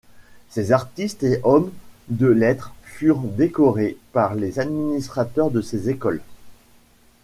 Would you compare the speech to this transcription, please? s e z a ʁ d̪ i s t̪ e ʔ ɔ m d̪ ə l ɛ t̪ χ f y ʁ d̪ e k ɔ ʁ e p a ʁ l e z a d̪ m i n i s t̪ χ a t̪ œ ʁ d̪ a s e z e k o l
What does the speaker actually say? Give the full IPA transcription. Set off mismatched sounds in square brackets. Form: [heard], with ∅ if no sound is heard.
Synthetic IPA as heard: s e z a ʁ [t̪] i s t̪ e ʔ ɔ m d̪ ə l ɛ t̪ χ f y ʁ d̪ e k ɔ ʁ e p a ʁ l e z a d̪ m i n i s t̪ χ a t̪ œ ʁ d̪ [ə] s e z e k [ɔ] l